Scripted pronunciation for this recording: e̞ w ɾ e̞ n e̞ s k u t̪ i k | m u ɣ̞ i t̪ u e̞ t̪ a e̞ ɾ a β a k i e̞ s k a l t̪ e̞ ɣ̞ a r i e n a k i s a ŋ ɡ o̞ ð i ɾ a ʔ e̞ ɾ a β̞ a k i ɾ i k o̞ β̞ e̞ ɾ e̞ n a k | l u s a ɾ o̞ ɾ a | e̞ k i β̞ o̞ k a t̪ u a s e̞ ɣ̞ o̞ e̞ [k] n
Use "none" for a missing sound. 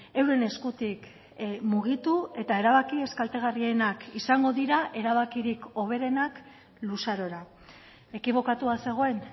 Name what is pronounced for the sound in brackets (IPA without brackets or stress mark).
none